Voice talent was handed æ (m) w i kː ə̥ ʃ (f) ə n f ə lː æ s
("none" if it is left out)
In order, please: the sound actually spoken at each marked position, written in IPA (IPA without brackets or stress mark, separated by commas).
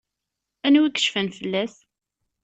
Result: n, f